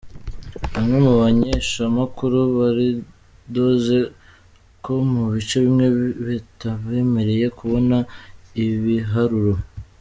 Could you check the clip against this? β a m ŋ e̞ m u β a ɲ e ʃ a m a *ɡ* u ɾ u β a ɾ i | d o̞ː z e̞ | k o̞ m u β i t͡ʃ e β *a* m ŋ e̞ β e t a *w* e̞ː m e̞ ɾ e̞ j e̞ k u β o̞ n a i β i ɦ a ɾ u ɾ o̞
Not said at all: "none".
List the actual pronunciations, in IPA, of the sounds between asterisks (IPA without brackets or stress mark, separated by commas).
k, i, β